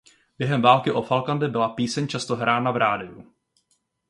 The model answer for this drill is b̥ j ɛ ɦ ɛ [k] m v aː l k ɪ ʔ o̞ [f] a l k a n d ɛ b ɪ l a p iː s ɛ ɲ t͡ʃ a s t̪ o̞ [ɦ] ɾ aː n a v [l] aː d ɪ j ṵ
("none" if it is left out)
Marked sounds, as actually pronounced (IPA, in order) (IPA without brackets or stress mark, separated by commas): none, f, ɦ, ɾ